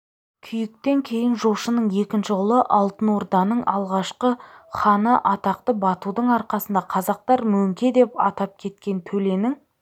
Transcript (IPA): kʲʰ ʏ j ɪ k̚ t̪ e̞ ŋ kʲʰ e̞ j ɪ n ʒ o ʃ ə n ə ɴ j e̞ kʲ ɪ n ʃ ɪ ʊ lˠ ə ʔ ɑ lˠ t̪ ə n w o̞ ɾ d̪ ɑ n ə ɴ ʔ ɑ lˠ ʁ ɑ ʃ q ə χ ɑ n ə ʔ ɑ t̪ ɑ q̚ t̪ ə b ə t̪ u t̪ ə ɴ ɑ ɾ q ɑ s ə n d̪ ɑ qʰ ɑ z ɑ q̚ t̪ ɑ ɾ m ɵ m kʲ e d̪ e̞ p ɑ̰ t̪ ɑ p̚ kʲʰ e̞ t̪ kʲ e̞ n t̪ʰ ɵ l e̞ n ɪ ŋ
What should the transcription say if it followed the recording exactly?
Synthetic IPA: kʲʰ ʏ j ɪ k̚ t̪ e̞ ŋ kʲʰ e̞ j ɪ n ʒ o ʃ ə n ə ɴ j e̞ kʲ ɪ n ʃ ɪ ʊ lˠ ə ʔ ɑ lˠ t̪ ə n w o̞ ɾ d̪ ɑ n ə ɴ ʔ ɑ lˠ ʁ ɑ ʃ q ə χ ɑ n ə ʔ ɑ t̪ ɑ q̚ t̪ ə b ɑ t̪ u d̪ ə ɴ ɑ ɾ q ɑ s ə n d̪ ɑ qʰ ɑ z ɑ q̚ t̪ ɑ ɾ m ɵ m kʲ e d̪ e̞ p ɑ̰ t̪ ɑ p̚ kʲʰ e̞ t̪ kʲ e̞ n t̪ʰ ɵ l e̞ n ɪ ŋ